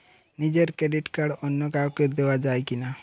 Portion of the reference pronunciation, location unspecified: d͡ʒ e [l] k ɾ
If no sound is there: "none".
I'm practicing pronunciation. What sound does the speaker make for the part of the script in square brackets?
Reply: ɾ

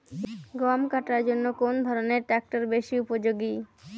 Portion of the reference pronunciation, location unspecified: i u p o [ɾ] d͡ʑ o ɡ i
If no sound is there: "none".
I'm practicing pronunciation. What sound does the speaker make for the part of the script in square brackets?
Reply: none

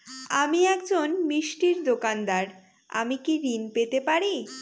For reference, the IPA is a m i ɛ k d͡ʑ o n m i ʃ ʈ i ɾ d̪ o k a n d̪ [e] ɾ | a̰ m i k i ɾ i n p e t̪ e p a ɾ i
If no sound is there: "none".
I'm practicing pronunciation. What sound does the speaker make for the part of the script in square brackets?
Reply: a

